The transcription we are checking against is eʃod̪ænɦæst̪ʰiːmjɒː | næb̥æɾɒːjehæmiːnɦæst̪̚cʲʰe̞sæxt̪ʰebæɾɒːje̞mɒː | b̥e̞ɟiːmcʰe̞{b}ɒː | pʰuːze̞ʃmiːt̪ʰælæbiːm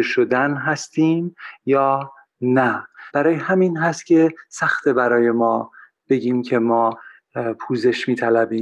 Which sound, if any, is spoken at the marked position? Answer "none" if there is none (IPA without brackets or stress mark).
m